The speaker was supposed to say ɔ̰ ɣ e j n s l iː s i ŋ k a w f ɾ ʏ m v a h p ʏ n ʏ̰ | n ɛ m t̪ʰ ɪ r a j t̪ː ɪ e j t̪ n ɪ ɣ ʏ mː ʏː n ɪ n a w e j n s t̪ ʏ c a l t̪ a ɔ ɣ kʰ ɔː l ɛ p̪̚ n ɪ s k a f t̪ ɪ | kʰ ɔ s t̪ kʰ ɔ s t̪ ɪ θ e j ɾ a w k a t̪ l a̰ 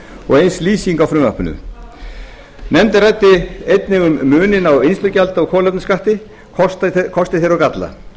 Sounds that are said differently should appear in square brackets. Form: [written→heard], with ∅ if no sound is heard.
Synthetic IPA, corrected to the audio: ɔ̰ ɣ e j n s l iː s i ŋ k a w f ɾ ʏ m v a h p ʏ n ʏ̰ | n ɛ m [t̪ʰ→t̪] ɪ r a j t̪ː ɪ e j t̪ n ɪ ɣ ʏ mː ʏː n ɪ n a w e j n s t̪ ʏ c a l t̪ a ɔ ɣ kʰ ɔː l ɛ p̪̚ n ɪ s k a [f→h] t̪ ɪ | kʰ ɔ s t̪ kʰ ɔ s t̪ ɪ θ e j ɾ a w k a t̪ l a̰

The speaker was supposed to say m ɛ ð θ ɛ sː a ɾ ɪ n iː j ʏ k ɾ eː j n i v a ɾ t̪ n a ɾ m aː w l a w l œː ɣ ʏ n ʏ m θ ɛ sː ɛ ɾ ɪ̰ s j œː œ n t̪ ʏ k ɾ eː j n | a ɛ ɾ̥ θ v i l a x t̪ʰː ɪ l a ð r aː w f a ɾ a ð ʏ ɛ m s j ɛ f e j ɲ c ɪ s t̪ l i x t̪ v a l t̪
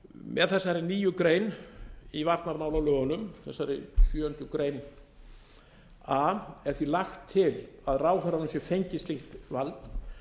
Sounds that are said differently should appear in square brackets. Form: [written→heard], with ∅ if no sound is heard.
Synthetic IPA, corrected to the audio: m ɛ ð θ ɛ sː a ɾ ɪ n iː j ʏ k ɾ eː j n i v a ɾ t̪ n a ɾ m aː w l a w l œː ɣ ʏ n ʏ m θ ɛ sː [ɛ→a] ɾ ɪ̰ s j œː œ n t̪ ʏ k ɾ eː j n | a ɛ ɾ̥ θ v i l a x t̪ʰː ɪ l a ð r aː w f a ɾ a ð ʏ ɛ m s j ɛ f e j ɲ c ɪ s t̪ l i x t̪ v a l t̪

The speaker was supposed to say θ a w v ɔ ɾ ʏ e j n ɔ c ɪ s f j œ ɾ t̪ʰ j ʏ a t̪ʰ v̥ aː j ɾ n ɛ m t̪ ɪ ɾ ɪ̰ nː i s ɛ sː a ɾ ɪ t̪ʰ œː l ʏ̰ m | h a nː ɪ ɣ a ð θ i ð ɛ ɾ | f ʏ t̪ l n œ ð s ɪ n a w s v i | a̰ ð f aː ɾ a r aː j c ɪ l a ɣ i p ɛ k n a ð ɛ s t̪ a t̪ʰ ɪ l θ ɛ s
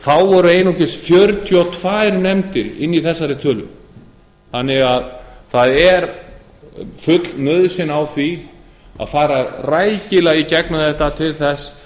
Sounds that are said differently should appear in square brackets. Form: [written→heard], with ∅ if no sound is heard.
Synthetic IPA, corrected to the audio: θ a w v ɔ ɾ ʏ e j n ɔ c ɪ s f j œ ɾ t̪ʰ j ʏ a t̪ʰ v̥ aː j ɾ n ɛ m t̪ ɪ ɾ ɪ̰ nː i [s→θ] ɛ sː a ɾ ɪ t̪ʰ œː l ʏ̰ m | [h→θ] a nː ɪ ɣ a ð θ [i→a] ð ɛ ɾ | f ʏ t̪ l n œ ð s ɪ n a w [s→θ] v i | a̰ ð f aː ɾ a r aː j c ɪ l a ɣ i [p→c] ɛ k n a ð ɛ [s→h] t̪ a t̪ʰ ɪ l θ ɛ s

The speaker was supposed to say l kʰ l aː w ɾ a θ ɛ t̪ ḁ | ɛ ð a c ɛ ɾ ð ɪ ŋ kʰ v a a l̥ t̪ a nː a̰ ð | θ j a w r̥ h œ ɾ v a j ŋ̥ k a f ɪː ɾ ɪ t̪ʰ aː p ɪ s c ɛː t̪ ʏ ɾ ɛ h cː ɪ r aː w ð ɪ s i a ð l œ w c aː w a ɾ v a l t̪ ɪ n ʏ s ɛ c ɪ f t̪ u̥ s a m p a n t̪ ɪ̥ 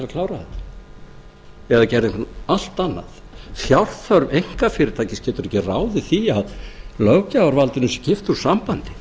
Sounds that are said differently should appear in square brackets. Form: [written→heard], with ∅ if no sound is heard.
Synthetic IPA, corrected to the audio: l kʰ l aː w ɾ a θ ɛ t̪ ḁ | ɛ ð a c ɛ ɾ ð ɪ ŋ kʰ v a a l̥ t̪ a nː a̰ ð | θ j a w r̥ [h→θ] œ ɾ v [a→e] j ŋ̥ k a f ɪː ɾ ɪ t̪ʰ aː [p→c] ɪ s c ɛː t̪ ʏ ɾ ɛ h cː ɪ r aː w ð ɪ [s→θ] i a ð l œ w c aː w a ɾ v a l t̪ ɪ n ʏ s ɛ c ɪ f t̪ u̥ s a m p a n t̪ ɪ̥

